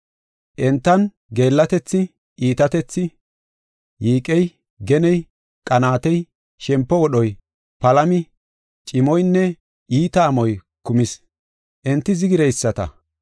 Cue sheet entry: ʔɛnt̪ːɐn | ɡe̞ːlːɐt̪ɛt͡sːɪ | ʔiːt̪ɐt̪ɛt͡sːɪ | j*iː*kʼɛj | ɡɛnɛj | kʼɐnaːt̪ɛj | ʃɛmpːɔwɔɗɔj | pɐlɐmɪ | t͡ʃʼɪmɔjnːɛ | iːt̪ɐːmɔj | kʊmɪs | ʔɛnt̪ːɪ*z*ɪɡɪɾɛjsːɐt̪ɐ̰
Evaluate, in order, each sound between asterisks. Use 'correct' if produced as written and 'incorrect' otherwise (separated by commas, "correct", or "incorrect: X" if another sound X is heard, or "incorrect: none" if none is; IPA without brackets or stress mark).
correct, correct